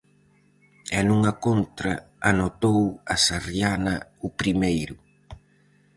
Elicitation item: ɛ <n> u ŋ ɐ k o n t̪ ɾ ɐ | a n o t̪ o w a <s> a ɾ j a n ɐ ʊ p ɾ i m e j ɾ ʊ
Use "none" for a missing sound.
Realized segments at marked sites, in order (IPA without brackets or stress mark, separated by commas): n, s